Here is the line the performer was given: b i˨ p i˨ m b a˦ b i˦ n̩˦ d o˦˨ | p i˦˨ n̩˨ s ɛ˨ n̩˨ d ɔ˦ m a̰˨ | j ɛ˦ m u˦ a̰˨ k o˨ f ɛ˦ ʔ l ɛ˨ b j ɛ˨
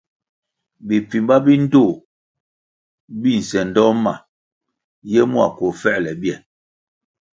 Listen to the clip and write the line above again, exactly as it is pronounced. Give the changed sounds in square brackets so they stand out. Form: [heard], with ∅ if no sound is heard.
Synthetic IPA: b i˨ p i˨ m b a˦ b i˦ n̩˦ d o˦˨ | [b] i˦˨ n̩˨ s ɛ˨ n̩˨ d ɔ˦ m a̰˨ | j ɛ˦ m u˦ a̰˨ k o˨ f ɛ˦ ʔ l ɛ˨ b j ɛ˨